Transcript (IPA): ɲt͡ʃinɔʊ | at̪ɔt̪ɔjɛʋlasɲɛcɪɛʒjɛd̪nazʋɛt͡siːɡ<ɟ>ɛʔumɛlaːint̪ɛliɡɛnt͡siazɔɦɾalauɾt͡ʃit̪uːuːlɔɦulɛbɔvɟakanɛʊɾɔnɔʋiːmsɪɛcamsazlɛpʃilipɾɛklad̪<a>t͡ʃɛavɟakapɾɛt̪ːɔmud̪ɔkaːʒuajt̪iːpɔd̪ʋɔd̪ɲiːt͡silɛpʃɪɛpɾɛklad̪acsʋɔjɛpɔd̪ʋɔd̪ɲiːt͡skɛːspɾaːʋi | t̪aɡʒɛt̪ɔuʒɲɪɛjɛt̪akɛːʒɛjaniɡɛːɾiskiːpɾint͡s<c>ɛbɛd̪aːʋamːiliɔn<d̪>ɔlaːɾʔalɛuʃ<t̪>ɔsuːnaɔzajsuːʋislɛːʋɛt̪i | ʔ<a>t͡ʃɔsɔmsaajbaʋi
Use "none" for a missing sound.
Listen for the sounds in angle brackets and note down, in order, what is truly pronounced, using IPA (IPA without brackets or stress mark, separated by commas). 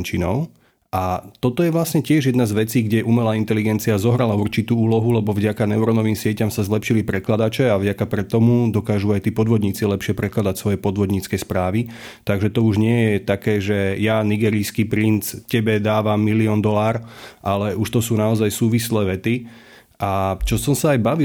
ɟ, a, c, d̪, t̪, a